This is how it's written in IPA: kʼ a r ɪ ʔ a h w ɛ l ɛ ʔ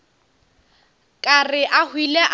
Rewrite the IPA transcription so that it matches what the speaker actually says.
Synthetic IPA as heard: kʼ a r ɪ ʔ a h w i l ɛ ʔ